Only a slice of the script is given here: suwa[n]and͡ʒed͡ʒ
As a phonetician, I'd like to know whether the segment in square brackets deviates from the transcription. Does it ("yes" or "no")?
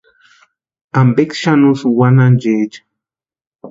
no